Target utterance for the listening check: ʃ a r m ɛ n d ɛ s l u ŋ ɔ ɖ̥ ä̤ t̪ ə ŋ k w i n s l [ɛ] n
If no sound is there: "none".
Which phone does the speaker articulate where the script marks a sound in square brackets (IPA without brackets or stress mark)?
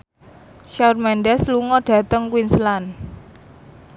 a